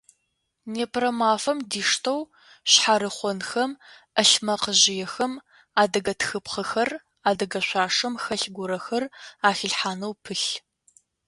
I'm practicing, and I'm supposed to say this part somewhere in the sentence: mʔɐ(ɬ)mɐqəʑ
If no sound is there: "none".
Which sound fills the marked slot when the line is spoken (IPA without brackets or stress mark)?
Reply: ɬ